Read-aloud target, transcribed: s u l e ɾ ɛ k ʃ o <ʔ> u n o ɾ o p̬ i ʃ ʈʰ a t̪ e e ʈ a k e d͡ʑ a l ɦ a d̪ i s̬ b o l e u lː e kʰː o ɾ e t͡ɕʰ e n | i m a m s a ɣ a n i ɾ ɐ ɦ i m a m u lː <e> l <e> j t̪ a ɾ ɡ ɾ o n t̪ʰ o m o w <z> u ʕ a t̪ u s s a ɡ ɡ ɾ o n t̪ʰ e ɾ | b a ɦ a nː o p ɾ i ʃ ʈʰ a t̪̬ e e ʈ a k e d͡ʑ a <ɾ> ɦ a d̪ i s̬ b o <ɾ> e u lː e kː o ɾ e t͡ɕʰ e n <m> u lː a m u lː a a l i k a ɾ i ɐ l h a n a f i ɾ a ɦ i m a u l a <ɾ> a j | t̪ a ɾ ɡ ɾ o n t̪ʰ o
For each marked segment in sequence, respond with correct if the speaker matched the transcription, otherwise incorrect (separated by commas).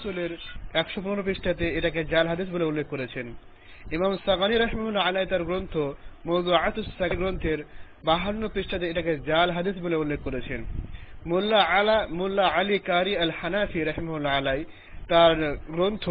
incorrect, incorrect, incorrect, correct, incorrect, incorrect, correct, incorrect